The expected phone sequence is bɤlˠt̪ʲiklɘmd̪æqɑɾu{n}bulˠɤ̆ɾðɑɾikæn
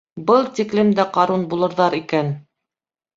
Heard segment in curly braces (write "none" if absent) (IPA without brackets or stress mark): n